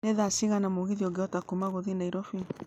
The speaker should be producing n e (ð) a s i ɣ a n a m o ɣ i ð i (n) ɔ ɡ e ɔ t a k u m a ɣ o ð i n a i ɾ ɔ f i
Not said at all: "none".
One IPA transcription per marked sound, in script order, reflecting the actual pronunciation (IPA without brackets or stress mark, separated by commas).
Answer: ð, none